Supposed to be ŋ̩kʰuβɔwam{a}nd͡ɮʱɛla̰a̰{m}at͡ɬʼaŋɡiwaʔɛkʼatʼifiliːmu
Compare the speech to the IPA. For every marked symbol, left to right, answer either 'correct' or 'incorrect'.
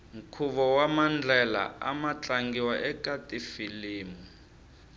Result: correct, correct

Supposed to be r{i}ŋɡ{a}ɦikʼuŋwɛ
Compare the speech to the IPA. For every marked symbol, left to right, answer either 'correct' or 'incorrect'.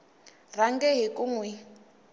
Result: incorrect: a, incorrect: ɛ

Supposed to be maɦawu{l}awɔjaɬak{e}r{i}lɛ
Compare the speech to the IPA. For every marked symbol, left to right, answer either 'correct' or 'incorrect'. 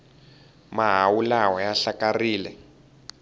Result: correct, incorrect: a, incorrect: iː

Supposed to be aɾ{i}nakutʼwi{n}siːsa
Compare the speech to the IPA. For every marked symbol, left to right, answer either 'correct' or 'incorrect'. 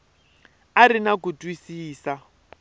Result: correct, incorrect: none

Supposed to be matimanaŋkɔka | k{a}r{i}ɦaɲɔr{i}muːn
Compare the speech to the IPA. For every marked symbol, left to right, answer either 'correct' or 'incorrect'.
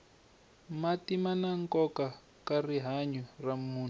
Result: correct, correct, incorrect: a

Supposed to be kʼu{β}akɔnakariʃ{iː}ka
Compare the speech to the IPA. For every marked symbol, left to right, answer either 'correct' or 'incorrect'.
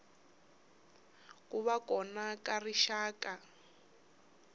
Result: correct, incorrect: aː

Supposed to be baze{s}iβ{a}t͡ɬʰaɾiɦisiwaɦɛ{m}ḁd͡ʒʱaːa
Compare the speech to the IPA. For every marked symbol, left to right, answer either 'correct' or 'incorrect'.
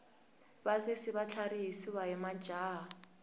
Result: correct, correct, correct

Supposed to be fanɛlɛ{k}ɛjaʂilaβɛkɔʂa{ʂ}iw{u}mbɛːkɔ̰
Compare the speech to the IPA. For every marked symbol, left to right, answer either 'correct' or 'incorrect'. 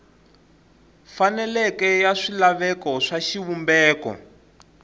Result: correct, incorrect: ʃ, correct

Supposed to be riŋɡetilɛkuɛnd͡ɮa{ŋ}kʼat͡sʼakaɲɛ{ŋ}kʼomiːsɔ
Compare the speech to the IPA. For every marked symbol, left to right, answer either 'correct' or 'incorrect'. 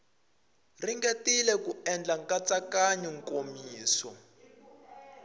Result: correct, correct

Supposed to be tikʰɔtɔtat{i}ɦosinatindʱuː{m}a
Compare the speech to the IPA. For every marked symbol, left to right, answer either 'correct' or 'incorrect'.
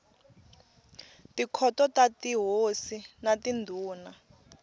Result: correct, incorrect: n

